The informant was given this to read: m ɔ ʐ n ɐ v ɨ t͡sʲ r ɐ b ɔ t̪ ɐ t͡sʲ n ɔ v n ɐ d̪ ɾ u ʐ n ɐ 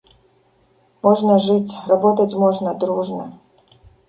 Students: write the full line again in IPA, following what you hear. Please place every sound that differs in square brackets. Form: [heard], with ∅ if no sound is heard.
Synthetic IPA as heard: m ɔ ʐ n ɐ [ʐ] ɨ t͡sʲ r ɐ b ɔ t̪ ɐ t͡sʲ [m] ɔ [ʐ] n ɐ d̪ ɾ u ʐ n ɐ